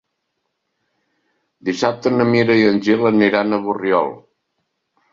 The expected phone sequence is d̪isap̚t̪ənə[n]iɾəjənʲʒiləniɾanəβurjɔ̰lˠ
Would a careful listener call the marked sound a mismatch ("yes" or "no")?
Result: yes